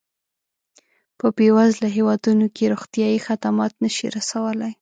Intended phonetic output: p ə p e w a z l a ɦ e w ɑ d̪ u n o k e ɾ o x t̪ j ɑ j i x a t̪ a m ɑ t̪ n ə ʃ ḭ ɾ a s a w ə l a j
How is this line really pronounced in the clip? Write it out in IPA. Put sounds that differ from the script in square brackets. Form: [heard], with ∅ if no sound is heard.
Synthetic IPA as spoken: p ə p e w a z l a ɦ e w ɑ d̪ u n o k e ɾ o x t̪ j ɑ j i x a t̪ a m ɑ t̪ n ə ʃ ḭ ɾ a s a w ə l a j